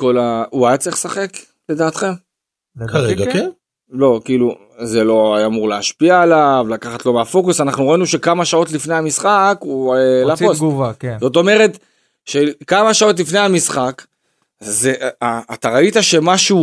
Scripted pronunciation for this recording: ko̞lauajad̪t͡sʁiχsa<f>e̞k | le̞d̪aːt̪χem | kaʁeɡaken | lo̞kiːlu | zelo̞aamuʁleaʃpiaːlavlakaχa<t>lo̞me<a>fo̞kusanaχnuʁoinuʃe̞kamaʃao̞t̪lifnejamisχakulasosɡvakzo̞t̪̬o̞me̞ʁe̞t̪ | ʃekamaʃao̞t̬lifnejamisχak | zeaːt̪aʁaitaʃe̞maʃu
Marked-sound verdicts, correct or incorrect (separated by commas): incorrect, correct, correct